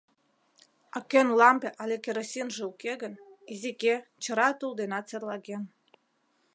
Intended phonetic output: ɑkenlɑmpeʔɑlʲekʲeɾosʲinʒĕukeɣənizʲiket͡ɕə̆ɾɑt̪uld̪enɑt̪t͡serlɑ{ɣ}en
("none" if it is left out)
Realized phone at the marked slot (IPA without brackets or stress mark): ɣ